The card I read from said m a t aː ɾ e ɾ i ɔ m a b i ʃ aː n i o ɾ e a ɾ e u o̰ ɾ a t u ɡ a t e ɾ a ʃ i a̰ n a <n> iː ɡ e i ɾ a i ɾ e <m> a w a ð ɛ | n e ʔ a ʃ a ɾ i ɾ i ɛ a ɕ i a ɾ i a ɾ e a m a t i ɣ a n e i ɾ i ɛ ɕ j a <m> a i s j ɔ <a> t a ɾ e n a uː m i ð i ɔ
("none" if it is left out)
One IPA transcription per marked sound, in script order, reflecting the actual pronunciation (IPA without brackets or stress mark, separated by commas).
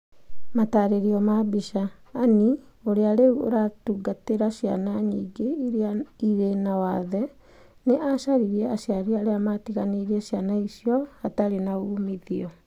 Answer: ɲ, n, n, a